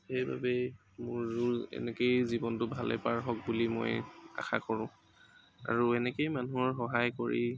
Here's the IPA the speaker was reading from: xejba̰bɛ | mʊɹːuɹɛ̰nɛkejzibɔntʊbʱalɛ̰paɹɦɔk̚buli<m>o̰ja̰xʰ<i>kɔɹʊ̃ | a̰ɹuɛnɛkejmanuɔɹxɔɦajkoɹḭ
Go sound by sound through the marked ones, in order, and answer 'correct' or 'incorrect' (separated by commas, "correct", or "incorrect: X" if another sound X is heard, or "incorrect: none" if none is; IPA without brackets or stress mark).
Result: correct, incorrect: a